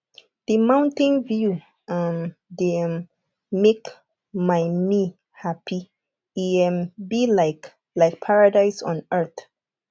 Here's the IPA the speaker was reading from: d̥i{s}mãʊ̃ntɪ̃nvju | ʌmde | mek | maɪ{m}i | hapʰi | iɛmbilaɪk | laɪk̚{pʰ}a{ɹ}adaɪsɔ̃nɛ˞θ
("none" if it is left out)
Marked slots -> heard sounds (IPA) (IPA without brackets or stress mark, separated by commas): none, m, pʰ, ɹ